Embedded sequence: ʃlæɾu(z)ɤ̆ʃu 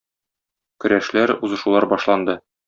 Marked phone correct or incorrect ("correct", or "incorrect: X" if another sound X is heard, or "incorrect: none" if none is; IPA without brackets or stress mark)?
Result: correct